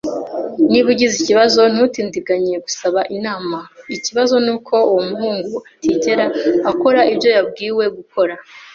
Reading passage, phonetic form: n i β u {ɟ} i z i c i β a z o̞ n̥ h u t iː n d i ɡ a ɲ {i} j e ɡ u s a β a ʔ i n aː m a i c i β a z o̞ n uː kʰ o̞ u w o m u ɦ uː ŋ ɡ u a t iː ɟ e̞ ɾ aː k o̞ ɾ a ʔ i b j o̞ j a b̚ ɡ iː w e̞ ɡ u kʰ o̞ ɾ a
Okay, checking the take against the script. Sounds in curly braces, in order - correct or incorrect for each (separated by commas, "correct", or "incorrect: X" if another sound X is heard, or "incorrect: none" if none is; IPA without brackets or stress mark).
correct, correct